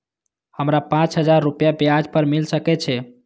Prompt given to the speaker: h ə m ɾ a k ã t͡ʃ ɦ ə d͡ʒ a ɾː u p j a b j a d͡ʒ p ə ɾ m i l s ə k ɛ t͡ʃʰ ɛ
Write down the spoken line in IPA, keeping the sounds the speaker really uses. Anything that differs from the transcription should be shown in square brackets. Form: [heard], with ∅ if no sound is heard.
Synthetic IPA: h ə m ɾ a [p] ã t͡ʃ ɦ ə d͡ʒ a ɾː u p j a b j a d͡ʒ p ə ɾ m i l s ə k ɛ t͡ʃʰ ɛ